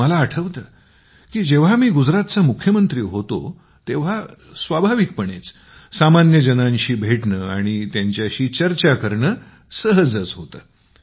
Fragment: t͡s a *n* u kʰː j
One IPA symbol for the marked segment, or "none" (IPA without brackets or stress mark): m